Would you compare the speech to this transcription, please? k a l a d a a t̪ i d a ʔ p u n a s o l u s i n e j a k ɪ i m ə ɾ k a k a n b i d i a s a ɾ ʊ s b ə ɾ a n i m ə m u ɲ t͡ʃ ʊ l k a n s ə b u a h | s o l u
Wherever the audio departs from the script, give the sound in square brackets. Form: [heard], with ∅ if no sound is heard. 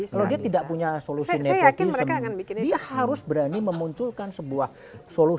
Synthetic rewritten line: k a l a d [i] a t̪ i d a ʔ p u [ɲ] a s o l u s i n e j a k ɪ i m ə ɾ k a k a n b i d i a [h] a ɾ ʊ s b ə ɾ a n i m ə m u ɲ t͡ʃ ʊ l k a n s ə b u a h | s o l u